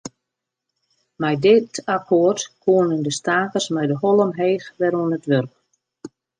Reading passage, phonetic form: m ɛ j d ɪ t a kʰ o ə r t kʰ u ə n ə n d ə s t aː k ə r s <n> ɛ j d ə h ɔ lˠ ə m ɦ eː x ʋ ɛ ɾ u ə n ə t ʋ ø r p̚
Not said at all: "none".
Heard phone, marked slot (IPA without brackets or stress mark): m